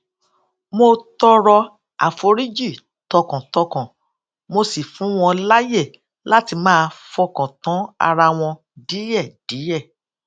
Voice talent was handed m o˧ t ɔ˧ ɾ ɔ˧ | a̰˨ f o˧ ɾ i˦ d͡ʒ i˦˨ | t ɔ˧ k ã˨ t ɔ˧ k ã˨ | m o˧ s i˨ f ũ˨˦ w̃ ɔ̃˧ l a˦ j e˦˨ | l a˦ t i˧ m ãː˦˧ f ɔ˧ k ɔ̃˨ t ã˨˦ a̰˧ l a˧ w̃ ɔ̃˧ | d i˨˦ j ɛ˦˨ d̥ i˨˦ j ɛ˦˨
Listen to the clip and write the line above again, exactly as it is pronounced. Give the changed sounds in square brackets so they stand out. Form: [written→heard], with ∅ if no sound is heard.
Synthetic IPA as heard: m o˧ t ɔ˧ ɾ ɔ˧ | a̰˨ f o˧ ɾ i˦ d͡ʒ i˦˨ | t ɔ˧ k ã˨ t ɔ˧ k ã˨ | m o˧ s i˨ f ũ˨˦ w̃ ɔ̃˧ l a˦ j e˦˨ | l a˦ t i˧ m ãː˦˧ f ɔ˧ k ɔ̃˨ t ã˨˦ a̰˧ [l→ɾ] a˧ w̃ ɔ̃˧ | d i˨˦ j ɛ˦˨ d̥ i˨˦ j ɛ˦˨